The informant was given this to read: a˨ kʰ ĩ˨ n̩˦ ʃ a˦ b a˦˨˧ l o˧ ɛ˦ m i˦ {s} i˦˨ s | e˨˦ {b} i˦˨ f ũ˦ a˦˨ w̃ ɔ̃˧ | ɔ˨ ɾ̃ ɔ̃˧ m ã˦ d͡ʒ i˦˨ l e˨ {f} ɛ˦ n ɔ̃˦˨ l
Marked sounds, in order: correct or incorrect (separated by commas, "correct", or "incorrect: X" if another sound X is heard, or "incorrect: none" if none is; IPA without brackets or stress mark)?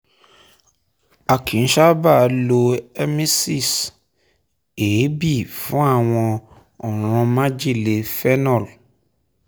correct, correct, correct